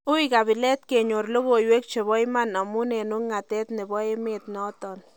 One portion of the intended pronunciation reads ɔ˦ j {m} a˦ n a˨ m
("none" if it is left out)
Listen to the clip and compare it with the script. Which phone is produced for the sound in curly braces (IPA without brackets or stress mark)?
m